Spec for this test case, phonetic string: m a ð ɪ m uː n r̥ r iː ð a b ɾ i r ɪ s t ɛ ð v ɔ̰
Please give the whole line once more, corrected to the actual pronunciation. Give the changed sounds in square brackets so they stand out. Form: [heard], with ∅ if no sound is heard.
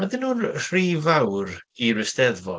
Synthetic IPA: m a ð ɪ [n] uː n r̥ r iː [v] a [w] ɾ i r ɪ s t ɛ ð v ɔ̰